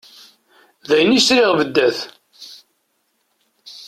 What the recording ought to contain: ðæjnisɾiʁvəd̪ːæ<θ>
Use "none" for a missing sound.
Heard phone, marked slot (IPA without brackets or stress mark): θ